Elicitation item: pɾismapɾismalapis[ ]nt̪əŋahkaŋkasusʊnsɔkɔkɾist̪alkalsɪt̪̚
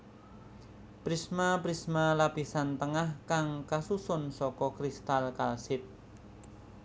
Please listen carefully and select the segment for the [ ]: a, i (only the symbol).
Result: a